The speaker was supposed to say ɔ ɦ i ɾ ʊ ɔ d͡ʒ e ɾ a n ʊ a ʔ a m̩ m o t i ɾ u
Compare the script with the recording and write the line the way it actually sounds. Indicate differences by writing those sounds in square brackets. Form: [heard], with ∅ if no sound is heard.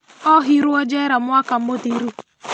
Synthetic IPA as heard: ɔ ɦ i ɾ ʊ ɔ d͡ʒ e ɾ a [m] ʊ a [k] a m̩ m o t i ɾ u